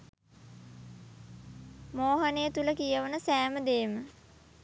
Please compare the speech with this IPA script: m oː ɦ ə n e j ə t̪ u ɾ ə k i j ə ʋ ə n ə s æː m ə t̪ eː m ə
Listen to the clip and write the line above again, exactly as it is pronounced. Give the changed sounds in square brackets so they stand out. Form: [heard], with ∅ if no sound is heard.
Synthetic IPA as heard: m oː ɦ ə n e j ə t̪ u [l] ə k i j ə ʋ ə n ə s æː m ə [d̪] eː m ə